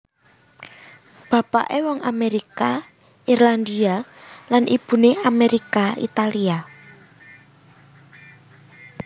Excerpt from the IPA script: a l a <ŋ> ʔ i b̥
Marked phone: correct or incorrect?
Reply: incorrect